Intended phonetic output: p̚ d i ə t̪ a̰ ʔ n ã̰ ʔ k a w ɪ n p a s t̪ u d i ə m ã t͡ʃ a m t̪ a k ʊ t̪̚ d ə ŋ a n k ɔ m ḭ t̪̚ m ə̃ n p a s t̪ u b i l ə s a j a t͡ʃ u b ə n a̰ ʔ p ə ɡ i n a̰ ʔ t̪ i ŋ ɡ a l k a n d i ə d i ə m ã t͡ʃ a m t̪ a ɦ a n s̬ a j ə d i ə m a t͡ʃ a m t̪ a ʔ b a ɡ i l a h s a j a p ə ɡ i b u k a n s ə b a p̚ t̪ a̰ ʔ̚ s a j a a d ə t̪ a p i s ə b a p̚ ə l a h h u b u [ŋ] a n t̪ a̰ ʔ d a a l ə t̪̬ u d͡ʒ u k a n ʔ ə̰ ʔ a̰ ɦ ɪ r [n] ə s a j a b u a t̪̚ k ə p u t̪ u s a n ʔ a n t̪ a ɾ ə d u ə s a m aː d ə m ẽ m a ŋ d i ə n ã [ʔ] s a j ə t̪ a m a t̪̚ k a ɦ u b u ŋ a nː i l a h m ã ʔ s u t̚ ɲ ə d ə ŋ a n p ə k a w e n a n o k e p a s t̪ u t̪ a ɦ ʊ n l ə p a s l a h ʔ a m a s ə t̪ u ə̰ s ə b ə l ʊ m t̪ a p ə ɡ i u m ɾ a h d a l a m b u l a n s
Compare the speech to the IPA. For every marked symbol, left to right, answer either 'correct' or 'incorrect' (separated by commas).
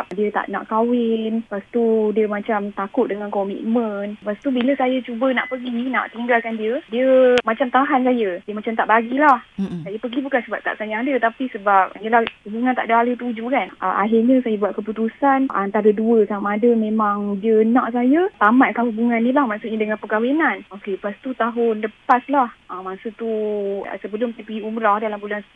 correct, incorrect, correct